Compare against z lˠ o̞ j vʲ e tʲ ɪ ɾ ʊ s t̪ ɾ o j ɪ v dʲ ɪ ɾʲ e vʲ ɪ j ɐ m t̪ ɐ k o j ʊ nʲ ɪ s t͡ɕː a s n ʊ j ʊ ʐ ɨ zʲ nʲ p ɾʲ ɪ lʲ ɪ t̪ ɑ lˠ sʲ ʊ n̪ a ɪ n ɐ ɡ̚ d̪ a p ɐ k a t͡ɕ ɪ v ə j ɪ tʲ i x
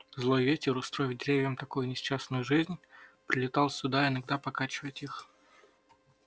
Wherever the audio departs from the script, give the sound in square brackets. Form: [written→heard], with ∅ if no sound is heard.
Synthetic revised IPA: z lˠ o̞ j vʲ e tʲ ɪ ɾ ʊ s t̪ ɾ o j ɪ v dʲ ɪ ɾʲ e vʲ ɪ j [ɐ→ə] m t̪ ɐ k o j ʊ nʲ ɪ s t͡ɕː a s n ʊ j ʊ ʐ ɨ zʲ nʲ p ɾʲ ɪ lʲ ɪ t̪ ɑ lˠ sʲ ʊ [n̪→d̪] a ɪ n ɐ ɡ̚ d̪ a p ɐ k a t͡ɕ ɪ v ə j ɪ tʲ i x

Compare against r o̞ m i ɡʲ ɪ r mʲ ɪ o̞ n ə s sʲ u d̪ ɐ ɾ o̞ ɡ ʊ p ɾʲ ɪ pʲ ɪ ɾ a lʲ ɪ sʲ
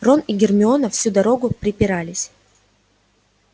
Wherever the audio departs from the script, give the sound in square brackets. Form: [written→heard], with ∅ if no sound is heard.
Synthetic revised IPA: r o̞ [m→n] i ɡʲ ɪ r mʲ ɪ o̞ n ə [s→f] sʲ u d̪ ɐ ɾ o̞ ɡ ʊ p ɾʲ ɪ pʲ ɪ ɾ a lʲ ɪ sʲ

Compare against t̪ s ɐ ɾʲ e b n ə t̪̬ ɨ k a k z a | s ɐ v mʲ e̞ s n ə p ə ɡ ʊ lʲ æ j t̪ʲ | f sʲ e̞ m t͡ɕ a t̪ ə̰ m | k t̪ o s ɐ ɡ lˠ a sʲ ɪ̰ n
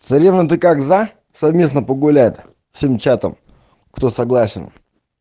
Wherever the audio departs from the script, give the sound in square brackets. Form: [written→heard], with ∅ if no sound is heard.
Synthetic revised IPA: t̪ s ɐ ɾʲ e [b→v] n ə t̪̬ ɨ k a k z a | s ɐ v mʲ e̞ s n ə p ə ɡ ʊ lʲ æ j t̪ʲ | f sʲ e̞ m t͡ɕ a t̪ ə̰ m | k t̪ o s ɐ ɡ lˠ a sʲ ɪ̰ n

